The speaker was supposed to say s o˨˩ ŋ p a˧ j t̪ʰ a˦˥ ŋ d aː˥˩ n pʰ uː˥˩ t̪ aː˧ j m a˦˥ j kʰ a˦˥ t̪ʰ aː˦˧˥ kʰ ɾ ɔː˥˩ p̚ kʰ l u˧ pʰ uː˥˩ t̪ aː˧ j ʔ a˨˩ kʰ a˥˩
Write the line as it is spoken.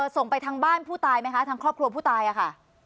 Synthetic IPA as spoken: s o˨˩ ŋ p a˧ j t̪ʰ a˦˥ ŋ b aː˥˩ n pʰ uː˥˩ t̪ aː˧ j m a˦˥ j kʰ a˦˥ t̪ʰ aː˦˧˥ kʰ ɾ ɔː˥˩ p̚ kʰ ɾ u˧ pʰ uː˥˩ t̪ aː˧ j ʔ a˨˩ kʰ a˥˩